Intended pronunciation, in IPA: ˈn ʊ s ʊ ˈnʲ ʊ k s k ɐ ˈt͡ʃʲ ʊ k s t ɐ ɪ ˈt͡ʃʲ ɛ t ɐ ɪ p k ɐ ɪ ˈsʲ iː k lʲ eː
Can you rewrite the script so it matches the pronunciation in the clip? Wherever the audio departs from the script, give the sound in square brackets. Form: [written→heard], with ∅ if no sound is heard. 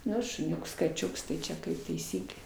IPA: ˈn ʊ [s→ʃ] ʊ ˈnʲ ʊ k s k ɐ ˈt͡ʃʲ ʊ k s t ɐ ɪ ˈt͡ʃʲ ɛ [t→k] ɐ ɪ p [k→t] ɐ ɪ ˈsʲ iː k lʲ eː